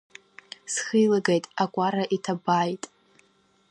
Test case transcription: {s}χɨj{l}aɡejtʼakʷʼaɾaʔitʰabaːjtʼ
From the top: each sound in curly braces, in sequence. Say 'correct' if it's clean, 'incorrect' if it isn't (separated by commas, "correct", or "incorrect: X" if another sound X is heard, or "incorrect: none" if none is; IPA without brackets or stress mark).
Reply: correct, correct